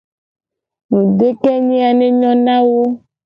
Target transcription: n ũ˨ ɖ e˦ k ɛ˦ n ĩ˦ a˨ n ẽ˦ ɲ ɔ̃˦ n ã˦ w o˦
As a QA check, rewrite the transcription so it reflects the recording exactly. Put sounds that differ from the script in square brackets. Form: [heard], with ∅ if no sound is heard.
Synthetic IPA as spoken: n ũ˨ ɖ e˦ k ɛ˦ [ɲ] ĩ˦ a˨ n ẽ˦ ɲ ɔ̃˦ n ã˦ w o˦